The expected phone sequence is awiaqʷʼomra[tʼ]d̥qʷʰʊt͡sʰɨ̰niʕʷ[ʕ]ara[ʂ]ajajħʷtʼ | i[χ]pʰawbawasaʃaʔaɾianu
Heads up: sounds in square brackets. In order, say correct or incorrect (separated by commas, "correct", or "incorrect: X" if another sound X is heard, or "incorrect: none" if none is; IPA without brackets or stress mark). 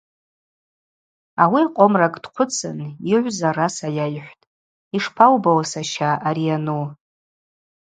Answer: incorrect: kʼ, incorrect: z, incorrect: s, incorrect: ʂ